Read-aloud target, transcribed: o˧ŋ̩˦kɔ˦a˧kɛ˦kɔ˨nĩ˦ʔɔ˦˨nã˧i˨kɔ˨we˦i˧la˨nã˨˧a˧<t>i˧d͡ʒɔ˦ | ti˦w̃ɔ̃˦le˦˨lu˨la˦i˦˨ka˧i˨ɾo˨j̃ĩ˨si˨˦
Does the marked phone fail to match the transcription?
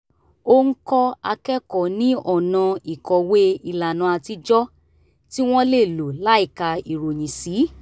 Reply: no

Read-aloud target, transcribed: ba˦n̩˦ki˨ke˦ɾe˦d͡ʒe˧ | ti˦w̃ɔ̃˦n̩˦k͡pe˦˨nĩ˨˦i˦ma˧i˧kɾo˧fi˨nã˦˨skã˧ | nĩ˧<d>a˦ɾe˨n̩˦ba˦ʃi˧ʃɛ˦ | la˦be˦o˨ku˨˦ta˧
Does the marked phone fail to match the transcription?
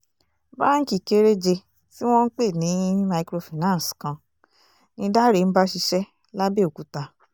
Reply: no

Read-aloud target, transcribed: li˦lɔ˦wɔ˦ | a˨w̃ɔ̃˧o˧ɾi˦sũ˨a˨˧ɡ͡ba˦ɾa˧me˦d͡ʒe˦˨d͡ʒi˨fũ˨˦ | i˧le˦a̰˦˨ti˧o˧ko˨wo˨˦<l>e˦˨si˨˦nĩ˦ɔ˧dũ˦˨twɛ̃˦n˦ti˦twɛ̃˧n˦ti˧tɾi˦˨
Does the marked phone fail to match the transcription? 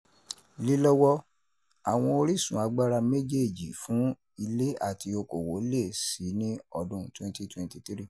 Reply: no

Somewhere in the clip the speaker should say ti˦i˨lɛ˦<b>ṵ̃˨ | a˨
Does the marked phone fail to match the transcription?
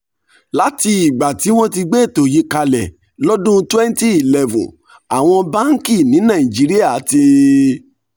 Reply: yes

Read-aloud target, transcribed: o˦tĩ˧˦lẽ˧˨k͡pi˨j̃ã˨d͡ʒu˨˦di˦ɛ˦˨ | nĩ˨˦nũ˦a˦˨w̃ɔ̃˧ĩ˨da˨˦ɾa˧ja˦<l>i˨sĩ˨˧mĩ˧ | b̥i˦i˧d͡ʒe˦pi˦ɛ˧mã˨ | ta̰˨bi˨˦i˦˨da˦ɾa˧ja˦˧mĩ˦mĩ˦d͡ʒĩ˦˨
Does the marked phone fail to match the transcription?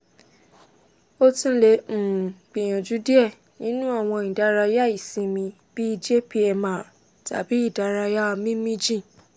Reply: yes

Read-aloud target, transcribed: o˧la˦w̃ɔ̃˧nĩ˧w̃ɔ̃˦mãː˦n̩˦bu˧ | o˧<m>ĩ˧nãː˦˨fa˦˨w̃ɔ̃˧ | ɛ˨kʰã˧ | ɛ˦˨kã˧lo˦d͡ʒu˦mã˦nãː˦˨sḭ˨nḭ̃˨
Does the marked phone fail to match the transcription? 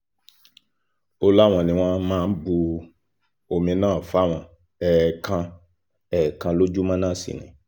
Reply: no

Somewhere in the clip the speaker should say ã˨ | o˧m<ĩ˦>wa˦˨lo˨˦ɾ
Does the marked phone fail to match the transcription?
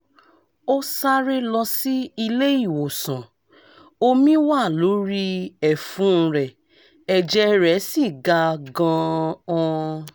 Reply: no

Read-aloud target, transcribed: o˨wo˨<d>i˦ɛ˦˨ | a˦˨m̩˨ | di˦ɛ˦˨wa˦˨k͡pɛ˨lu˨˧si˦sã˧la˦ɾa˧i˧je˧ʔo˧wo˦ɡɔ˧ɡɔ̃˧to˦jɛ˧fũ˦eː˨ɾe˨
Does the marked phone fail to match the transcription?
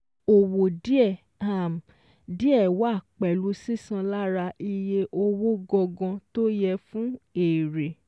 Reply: no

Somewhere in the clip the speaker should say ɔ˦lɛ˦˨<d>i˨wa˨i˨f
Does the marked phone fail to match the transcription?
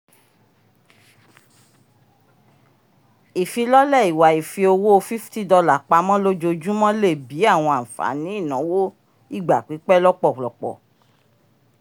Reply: yes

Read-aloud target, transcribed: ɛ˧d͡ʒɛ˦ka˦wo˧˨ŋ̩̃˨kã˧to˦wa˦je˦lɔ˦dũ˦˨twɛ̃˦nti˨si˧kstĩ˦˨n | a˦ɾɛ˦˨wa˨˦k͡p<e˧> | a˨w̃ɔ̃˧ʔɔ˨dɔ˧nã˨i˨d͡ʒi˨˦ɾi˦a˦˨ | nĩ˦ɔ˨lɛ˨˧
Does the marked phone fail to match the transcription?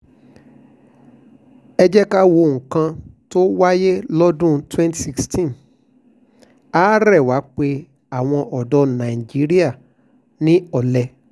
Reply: no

